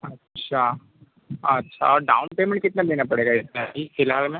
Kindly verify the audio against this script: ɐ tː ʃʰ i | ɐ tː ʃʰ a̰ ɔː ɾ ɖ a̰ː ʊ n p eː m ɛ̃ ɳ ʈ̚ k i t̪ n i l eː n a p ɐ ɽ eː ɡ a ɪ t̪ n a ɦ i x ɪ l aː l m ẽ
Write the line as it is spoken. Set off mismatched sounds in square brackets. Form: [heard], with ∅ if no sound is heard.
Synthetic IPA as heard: ɐ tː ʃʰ [a] | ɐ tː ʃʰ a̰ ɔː ɾ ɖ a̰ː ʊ n p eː m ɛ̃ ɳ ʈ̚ k [ɪ] t̪ n [a] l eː n a p ɐ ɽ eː ɡ a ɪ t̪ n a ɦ i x ɪ l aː l m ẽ